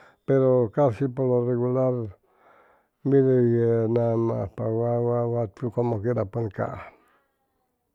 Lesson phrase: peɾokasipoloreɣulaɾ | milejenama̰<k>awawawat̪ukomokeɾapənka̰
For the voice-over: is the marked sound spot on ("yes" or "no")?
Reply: no